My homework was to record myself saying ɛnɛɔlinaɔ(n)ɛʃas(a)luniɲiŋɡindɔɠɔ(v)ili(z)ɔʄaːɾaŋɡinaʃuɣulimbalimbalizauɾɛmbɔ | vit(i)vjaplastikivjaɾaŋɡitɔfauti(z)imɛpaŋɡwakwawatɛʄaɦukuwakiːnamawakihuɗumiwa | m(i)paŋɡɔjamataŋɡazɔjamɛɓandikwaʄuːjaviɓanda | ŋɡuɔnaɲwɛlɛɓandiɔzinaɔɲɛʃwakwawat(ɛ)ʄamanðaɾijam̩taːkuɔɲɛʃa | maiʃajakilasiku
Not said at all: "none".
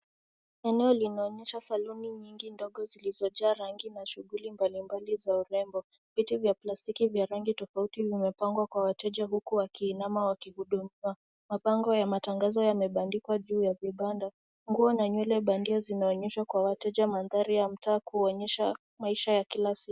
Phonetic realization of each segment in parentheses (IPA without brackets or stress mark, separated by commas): ɲ, a, z, z, i, v, a, ɛ